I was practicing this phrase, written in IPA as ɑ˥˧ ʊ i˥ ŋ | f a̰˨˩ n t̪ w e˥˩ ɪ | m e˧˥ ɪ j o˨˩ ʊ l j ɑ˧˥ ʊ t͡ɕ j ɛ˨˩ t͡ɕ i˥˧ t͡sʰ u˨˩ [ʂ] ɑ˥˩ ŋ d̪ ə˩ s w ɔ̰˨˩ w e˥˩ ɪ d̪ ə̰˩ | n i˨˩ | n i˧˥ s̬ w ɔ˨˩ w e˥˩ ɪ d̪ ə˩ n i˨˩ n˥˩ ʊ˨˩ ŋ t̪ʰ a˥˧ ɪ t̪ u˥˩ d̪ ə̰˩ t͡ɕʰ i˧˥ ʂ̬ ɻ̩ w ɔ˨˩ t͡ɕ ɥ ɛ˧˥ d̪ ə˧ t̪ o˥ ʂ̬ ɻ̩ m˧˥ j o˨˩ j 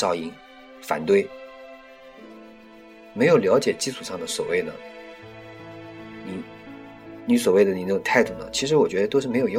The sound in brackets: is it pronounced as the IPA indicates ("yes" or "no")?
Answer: yes